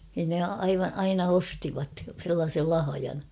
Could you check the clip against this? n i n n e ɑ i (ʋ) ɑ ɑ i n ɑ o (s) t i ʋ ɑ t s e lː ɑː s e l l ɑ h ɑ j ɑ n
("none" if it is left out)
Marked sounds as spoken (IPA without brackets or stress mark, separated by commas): ʋ, s